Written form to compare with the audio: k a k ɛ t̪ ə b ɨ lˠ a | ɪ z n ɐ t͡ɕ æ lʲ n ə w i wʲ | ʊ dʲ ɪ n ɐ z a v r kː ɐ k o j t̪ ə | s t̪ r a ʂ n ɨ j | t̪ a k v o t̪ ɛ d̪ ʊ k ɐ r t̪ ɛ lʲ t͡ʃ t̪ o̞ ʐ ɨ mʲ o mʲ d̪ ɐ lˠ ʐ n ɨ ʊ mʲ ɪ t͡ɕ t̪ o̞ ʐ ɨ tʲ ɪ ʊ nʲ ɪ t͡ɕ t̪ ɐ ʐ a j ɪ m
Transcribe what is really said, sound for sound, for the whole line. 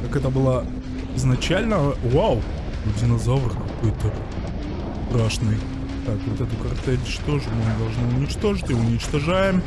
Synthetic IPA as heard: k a k ɛ t̪ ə b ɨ lˠ a | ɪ z n ɐ t͡ɕ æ lʲ n ə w a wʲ | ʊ dʲ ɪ n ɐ z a v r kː ɐ k o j t̪ ə | s t̪ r a ʂ n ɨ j | t̪ a k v o t̪ ɛ t̪ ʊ k ɐ r t̪ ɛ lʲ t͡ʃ t̪ o̞ ʐ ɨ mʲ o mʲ d̪ ɐ lˠ ʐ n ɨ ʊ nʲ ɪ t͡ɕ t̪ o̞ ʐ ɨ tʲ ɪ ʊ nʲ ɪ t͡ɕ t̪ ɐ ʐ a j ɪ m